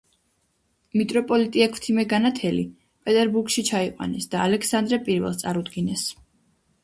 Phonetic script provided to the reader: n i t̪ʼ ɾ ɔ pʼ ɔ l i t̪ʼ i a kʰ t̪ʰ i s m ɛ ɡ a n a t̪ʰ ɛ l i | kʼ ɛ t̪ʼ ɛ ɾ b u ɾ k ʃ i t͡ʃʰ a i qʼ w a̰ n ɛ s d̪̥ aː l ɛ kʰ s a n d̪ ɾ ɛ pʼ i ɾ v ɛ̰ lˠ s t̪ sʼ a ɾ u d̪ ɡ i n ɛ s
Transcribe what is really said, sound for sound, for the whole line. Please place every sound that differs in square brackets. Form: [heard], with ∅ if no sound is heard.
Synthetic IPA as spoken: [m] i t̪ʼ ɾ ɔ pʼ ɔ l i t̪ʼ i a kʰ t̪ʰ i [∅] m ɛ ɡ a n a t̪ʰ ɛ l i | [pʼ] ɛ t̪ʼ ɛ ɾ b u ɾ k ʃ i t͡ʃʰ a i qʼ w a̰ n ɛ s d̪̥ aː l ɛ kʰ s a n d̪ ɾ ɛ pʼ i ɾ v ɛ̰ lˠ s t̪ sʼ a ɾ u d̪ ɡ i n ɛ s